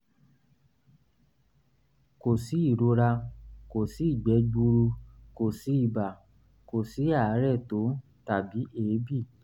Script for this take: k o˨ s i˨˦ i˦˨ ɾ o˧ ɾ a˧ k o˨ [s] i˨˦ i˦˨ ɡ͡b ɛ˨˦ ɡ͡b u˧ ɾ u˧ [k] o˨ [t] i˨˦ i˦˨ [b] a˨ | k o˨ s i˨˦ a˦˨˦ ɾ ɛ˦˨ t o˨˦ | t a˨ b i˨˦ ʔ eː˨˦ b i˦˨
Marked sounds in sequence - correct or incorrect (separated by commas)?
correct, correct, incorrect, correct